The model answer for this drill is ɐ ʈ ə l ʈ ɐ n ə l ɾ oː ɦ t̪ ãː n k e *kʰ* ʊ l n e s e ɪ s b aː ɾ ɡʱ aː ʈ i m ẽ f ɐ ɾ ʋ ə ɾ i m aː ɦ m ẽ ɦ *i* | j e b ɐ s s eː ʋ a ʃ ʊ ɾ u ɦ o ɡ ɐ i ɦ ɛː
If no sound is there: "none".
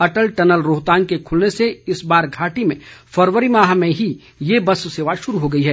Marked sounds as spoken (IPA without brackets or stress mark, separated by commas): kʰ, i